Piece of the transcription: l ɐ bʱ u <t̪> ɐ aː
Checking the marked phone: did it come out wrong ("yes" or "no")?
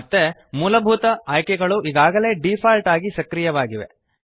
no